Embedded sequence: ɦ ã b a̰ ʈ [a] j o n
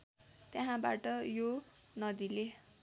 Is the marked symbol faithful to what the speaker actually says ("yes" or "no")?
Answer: no